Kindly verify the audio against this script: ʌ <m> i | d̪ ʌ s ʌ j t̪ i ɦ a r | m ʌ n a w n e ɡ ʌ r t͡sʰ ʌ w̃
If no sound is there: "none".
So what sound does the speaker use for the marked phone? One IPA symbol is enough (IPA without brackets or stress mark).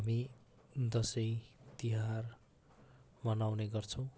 m